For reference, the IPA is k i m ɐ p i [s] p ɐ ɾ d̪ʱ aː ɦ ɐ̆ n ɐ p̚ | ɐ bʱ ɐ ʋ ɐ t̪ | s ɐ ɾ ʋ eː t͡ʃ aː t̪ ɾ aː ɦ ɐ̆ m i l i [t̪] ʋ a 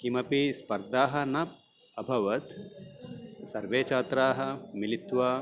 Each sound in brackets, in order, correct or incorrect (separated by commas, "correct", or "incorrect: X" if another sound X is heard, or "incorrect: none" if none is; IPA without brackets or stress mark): correct, correct